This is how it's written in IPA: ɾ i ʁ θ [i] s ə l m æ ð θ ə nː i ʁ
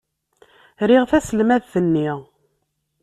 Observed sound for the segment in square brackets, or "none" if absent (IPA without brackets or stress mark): æ